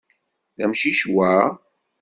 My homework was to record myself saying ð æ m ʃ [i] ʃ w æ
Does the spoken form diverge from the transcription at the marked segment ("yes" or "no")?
no